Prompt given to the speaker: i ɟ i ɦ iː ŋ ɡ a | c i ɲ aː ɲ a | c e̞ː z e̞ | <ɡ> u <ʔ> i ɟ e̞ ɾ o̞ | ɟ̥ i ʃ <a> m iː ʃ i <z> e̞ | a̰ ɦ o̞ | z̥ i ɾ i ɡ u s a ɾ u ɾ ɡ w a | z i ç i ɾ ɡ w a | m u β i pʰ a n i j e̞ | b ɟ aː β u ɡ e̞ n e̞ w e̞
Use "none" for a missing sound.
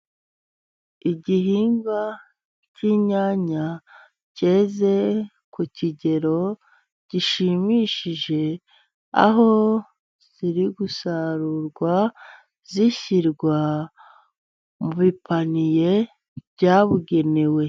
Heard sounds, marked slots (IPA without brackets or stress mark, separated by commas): k, c, i, ʒ